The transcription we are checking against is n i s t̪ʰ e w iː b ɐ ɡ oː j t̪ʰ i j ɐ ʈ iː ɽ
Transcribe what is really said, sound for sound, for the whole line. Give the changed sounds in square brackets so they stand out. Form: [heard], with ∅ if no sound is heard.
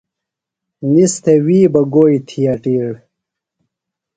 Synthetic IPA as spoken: n i s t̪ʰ e w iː b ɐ ɡ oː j t̪ʰ i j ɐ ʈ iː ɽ